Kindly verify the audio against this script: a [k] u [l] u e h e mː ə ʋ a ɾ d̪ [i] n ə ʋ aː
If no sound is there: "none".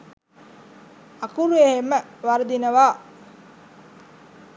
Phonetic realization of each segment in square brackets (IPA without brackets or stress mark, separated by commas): k, ɾ, i